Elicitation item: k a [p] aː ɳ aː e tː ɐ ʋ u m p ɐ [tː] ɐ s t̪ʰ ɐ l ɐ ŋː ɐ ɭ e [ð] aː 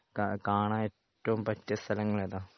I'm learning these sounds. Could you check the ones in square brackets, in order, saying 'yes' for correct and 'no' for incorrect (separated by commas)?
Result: no, yes, yes